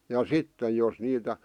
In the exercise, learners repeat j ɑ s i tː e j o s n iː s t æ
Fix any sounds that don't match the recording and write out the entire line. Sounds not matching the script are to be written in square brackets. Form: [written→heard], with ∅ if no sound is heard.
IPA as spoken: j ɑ s i tː e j o s n iː [s→∅] t æ